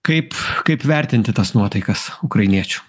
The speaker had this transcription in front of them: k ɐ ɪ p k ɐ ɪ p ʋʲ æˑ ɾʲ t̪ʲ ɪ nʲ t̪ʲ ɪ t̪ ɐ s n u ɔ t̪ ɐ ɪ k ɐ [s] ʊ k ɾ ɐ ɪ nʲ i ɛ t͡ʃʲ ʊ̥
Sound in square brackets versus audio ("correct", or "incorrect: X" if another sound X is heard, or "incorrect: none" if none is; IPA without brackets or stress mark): correct